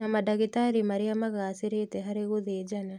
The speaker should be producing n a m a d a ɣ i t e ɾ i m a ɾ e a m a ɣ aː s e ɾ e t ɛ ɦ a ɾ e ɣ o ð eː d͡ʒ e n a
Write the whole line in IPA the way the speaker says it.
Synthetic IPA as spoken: n a m a d a ɣ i t a ɾ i m a ɾ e a m a ɣ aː s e ɾ e t ɛ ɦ a ɾ e ɣ o ð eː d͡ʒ a n a